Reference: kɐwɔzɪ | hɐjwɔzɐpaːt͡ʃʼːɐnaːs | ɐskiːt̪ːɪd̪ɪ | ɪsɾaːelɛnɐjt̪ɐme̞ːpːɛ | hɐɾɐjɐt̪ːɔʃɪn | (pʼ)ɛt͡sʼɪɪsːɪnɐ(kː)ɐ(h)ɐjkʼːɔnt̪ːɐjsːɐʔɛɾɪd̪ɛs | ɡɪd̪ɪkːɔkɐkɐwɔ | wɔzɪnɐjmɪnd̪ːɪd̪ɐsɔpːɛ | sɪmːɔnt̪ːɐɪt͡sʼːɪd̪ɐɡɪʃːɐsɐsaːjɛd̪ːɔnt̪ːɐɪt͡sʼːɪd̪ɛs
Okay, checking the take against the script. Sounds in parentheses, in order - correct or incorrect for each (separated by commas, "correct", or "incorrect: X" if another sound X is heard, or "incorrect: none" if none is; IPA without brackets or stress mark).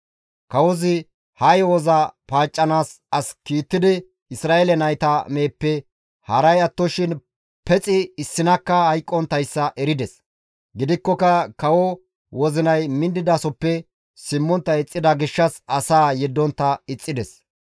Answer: incorrect: p, correct, correct